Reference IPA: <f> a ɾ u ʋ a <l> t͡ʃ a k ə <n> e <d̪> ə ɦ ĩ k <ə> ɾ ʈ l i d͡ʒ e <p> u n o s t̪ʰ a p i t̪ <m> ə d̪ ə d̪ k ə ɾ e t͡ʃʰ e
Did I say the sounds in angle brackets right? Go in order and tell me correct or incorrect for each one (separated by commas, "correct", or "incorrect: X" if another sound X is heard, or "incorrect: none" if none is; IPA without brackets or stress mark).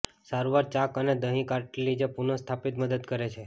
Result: incorrect: s, incorrect: ɾ, correct, correct, incorrect: a, correct, correct